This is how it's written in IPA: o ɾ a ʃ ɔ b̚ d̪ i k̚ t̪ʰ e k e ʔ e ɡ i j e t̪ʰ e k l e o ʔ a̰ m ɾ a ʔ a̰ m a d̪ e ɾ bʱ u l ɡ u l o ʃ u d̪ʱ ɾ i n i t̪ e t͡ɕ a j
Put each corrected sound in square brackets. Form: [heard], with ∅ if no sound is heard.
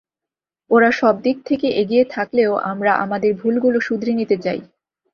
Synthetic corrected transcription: o ɾ a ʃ ɔ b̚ d̪ i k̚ t̪ʰ e k e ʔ e ɡ i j e t̪ʰ [a] k l e o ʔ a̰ m ɾ a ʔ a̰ m a d̪ e ɾ bʱ u l ɡ u l o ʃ u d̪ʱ ɾ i n i t̪ e t͡ɕ a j